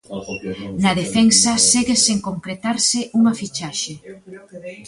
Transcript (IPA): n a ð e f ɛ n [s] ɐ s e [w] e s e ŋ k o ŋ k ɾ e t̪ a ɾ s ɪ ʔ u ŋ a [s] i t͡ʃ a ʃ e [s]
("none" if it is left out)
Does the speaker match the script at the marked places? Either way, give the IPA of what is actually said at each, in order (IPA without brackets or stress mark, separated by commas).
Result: s, ɣ, f, none